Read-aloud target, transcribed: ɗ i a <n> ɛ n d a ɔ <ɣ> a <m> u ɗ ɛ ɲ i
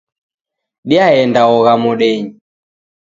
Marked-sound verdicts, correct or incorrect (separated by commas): incorrect, correct, correct